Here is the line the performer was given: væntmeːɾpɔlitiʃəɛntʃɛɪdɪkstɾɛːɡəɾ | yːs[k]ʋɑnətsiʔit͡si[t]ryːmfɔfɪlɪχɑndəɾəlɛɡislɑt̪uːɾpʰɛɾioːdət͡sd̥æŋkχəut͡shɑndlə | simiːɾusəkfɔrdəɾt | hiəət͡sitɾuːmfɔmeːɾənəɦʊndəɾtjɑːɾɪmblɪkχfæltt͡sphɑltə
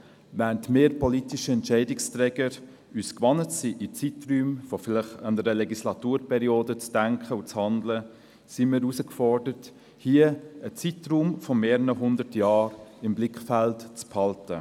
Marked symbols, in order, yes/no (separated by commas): yes, yes